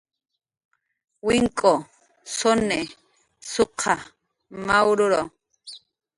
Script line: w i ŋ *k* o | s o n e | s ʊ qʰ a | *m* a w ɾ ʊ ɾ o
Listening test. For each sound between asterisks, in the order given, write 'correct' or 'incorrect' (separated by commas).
incorrect, correct